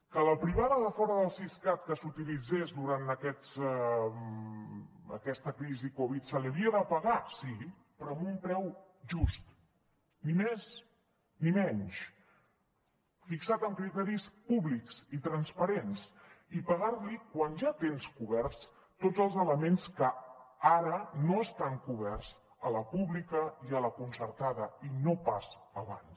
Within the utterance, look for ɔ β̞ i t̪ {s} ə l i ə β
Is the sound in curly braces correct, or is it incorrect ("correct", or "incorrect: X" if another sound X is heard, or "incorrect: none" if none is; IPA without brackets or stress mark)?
correct